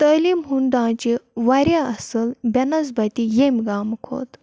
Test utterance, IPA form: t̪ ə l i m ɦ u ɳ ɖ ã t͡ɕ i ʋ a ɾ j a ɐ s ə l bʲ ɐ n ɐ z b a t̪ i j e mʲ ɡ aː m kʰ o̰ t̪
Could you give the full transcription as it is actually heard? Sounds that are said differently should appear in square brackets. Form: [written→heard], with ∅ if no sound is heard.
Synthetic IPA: t̪ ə l i m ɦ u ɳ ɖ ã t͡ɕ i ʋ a ɾ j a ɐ s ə l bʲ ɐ n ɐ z b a t̪ i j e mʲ ɡ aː m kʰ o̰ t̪